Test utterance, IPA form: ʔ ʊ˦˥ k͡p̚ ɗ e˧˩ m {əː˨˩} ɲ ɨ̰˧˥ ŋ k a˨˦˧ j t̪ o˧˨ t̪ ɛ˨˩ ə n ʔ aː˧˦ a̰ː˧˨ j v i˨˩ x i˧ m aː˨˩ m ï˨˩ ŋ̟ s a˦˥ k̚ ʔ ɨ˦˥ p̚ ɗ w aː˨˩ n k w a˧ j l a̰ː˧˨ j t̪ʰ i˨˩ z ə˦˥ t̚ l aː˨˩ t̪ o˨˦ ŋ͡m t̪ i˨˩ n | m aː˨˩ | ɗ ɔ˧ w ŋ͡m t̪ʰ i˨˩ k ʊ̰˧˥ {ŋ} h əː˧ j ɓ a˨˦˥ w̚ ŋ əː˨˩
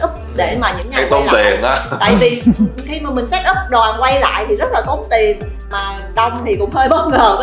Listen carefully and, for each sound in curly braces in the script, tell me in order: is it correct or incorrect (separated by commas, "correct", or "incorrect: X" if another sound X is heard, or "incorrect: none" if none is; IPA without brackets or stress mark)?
incorrect: aː˨˩, incorrect: ŋ͡m